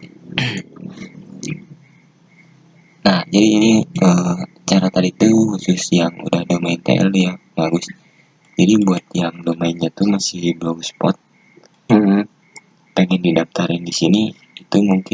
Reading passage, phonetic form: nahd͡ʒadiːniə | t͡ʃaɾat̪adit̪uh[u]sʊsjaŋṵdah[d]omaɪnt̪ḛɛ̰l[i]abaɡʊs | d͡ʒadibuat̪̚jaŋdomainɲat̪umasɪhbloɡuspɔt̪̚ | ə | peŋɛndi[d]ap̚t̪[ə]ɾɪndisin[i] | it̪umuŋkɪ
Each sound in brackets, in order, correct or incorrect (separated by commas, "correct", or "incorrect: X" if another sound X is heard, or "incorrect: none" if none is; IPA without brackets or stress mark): correct, correct, incorrect: j, correct, incorrect: a, correct